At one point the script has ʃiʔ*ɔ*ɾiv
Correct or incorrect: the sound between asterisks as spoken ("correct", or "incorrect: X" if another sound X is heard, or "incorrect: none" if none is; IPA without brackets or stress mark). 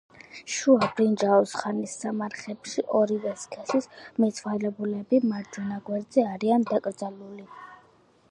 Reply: correct